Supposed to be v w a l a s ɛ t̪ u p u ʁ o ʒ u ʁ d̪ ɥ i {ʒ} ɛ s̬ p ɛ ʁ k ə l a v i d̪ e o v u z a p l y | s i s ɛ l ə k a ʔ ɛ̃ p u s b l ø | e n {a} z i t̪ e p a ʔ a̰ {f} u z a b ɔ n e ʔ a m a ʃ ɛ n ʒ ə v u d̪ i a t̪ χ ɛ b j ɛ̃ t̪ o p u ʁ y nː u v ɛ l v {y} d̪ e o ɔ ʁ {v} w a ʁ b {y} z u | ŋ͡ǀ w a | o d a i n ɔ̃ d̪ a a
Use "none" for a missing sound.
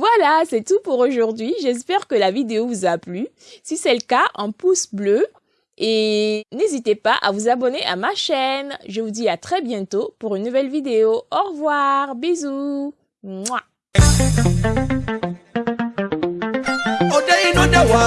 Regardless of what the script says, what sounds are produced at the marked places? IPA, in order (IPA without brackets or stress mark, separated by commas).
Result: ʒ, e, v, i, v, i